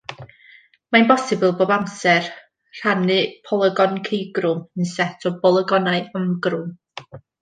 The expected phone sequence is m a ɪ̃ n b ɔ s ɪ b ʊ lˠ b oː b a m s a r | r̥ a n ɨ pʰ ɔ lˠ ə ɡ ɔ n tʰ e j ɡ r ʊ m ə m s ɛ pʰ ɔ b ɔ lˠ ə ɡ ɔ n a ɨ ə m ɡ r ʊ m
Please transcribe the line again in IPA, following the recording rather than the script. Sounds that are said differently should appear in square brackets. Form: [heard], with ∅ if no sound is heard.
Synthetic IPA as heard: m a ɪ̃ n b ɔ s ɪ b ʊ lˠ b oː b a m s [ɛ] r | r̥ a n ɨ pʰ ɔ lˠ ə ɡ ɔ n [kʰ] e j ɡ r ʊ m ə [n] s ɛ [tʰ] ɔ b ɔ lˠ ə ɡ ɔ n a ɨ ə m ɡ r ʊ m